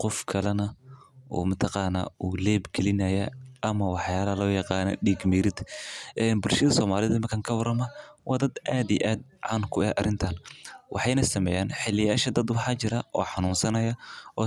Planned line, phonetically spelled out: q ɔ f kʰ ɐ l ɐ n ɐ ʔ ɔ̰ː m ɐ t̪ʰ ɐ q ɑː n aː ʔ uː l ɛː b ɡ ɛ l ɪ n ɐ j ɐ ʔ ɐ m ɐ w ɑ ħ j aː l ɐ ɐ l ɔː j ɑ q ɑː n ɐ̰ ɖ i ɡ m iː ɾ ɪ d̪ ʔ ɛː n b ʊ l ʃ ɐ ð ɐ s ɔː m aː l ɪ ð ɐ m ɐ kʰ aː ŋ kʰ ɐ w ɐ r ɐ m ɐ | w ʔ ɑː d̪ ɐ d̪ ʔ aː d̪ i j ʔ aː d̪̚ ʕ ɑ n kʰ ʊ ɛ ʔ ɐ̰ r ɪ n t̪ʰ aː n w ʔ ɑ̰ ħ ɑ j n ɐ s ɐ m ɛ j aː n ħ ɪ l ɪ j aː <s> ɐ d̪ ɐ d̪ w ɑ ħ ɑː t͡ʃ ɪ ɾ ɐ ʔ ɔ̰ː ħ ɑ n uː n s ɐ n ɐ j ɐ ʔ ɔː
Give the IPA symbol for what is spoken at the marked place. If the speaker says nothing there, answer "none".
ʃ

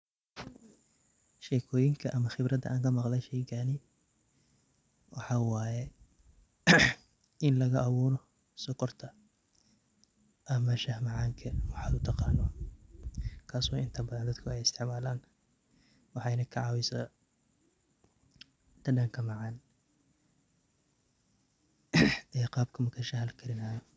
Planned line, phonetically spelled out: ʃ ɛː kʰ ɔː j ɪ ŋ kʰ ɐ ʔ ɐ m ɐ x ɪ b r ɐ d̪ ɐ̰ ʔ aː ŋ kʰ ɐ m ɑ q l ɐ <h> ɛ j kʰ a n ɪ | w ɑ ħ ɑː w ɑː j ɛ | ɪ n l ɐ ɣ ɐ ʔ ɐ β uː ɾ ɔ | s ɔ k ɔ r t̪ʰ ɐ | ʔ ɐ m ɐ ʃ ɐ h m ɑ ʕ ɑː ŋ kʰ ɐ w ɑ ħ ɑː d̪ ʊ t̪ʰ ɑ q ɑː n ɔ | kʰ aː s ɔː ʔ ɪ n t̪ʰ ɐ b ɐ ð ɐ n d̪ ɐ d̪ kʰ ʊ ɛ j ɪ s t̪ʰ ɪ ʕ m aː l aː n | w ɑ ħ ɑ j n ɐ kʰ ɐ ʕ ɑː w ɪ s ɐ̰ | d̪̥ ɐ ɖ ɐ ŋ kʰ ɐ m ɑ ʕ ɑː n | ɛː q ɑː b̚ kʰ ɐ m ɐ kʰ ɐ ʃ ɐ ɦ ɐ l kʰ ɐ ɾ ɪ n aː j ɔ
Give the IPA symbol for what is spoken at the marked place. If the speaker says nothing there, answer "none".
ʃ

